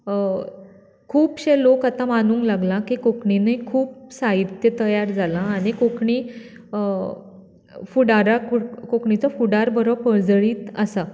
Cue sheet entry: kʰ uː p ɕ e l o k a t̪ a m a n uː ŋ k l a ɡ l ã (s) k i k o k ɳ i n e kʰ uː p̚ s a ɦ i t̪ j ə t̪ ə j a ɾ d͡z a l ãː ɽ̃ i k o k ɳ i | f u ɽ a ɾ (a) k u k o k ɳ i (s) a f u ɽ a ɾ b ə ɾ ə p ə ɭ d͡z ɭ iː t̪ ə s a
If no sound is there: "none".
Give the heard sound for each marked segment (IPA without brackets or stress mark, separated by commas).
none, a, t͡s